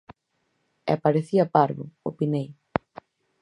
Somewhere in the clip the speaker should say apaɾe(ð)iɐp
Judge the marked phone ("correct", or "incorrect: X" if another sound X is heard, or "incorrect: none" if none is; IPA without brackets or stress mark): incorrect: θ